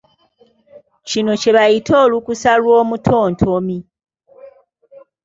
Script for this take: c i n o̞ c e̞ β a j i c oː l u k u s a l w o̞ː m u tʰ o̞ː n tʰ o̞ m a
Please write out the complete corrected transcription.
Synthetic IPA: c i n o̞ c e̞ β a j i t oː l u k u s a l w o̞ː m u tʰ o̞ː n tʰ o̞ m i